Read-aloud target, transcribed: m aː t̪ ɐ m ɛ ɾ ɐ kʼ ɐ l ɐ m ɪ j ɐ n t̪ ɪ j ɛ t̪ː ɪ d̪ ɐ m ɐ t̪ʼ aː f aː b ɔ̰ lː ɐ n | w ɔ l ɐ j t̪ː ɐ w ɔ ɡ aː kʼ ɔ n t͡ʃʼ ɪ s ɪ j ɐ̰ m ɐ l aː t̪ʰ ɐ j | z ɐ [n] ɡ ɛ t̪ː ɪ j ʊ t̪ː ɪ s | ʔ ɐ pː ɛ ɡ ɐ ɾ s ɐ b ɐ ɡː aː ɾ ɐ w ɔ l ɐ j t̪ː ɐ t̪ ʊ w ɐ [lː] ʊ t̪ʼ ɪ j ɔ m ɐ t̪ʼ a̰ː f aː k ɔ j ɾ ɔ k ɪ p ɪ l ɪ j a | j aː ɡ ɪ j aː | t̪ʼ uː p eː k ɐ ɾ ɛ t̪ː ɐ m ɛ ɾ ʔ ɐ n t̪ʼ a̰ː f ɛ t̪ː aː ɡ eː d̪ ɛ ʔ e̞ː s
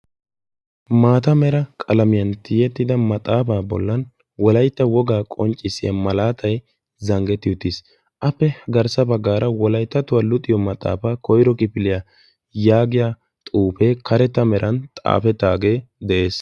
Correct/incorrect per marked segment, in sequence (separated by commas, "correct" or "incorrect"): incorrect, incorrect